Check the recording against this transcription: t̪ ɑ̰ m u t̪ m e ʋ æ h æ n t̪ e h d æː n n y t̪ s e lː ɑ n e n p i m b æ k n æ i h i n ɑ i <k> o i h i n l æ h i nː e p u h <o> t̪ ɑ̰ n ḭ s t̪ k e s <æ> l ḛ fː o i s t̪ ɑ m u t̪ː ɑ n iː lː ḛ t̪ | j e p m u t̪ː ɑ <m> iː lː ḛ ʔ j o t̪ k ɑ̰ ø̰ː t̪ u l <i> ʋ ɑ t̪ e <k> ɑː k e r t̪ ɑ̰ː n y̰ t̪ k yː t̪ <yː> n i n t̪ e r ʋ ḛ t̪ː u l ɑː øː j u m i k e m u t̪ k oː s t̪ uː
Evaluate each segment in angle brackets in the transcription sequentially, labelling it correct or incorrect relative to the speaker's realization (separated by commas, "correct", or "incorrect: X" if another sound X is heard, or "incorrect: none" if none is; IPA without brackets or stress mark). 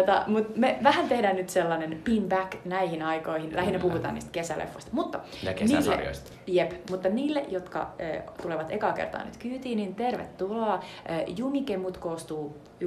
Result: correct, incorrect: u, correct, incorrect: n, incorrect: e, correct, incorrect: iː